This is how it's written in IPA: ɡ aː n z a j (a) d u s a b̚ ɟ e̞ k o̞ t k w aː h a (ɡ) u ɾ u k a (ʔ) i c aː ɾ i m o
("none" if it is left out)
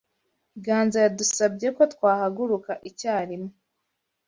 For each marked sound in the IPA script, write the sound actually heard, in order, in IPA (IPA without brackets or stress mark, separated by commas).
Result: a, ɡ, ʔ